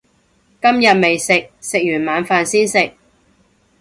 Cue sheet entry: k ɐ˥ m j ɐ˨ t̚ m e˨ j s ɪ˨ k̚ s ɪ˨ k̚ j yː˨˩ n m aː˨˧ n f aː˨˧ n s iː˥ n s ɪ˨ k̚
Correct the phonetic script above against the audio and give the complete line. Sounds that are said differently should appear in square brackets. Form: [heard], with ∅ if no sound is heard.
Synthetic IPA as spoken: k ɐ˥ m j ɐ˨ t̚ m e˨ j s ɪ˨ k̚ s ɪ˨ k̚ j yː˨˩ n m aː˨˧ n f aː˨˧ n s iː˥ n s ɪ˨ k̚